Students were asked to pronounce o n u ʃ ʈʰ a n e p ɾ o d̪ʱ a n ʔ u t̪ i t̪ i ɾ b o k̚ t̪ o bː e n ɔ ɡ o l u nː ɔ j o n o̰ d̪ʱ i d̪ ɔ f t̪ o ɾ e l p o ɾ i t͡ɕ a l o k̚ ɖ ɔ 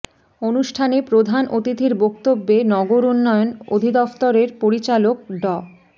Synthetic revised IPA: o n u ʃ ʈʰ a n e p ɾ o d̪ʱ a n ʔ o t̪ i t̪ i ɾ b o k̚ t̪ o bː e n ɔ ɡ o ɾ u nː ɔ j o n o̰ d̪ʱ i d̪ ɔ f t̪ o ɾ e ɾ p o ɾ i t͡ɕ a l o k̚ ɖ ɔ